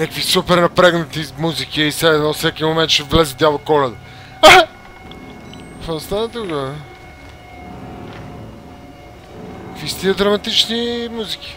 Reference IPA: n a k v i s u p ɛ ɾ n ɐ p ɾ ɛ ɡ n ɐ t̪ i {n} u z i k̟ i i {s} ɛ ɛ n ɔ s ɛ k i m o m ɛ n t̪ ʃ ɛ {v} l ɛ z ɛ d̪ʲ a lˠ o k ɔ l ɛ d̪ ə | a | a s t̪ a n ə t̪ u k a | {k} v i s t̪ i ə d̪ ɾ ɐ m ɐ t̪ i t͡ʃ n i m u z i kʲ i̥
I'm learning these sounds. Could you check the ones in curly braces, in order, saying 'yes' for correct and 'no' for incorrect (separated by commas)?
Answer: no, yes, yes, yes